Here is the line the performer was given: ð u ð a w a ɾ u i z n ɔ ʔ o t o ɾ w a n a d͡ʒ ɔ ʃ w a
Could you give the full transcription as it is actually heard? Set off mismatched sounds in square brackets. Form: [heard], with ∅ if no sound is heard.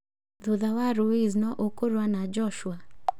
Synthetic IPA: ð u ð a w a ɾ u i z n ɔ ʔ o [k] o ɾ w a n a d͡ʒ ɔ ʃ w a